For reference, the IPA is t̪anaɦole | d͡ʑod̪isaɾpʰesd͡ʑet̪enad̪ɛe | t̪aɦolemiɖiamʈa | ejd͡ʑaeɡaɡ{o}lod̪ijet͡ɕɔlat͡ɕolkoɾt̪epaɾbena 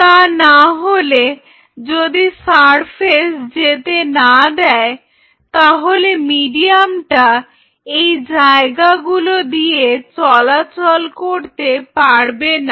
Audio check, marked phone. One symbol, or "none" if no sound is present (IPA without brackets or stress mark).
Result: u